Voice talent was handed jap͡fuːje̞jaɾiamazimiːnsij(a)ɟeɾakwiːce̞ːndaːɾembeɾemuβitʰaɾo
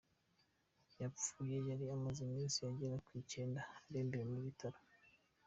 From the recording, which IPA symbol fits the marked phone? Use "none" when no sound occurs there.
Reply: a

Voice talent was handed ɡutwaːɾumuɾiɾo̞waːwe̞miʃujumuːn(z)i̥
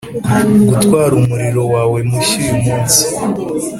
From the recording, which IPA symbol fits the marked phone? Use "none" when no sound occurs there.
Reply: s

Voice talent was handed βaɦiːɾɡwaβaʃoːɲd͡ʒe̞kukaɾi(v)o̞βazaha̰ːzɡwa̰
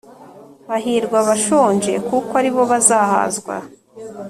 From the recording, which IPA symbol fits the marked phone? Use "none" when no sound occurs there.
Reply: β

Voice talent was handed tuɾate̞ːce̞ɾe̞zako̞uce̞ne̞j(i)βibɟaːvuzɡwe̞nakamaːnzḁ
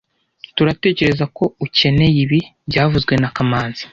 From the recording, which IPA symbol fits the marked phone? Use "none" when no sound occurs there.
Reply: i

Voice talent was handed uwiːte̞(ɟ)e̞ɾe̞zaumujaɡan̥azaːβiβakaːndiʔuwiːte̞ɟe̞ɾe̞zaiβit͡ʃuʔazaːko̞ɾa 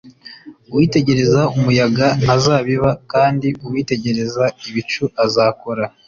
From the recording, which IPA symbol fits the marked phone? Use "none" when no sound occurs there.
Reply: ɟ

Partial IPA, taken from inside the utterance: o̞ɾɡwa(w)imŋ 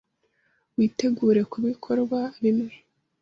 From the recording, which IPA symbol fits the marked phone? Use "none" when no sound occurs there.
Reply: β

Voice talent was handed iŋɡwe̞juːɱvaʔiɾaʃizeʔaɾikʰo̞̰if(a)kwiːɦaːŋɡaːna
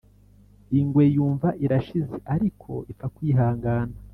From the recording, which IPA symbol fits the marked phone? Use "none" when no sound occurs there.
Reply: a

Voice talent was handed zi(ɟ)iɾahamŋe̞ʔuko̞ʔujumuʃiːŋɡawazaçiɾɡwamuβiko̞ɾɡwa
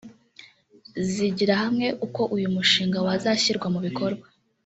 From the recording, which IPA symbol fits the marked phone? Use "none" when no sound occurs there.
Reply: ɟ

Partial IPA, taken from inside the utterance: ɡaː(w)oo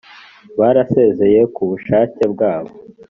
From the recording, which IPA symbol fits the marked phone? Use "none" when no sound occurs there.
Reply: β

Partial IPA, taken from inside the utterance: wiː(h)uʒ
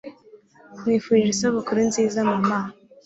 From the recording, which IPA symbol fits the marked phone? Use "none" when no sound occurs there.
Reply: f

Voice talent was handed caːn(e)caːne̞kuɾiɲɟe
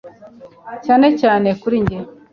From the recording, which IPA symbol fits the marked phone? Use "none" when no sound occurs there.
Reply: e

